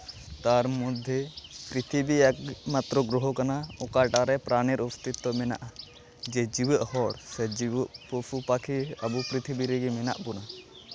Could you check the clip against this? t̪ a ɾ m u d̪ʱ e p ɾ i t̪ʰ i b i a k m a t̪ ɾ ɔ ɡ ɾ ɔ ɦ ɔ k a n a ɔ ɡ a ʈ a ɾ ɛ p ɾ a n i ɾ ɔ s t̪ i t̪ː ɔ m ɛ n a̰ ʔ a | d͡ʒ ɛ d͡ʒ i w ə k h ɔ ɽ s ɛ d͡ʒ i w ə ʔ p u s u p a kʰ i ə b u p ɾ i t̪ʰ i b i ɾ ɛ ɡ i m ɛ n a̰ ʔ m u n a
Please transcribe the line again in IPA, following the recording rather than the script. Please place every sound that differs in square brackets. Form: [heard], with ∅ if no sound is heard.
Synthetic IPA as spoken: t̪ a ɾ m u d̪ʱ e p ɾ i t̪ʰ i b i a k m a t̪ ɾ ɔ ɡ ɾ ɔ ɦ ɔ k a n a ɔ [k] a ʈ a ɾ ɛ p ɾ a n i ɾ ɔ s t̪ i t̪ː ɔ m ɛ n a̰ ʔ a | d͡ʒ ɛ d͡ʒ i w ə [ʔ] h ɔ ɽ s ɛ d͡ʒ i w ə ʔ p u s u p a kʰ i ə b u p ɾ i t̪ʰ i b i ɾ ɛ ɡ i m ɛ n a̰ ʔ [b] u n a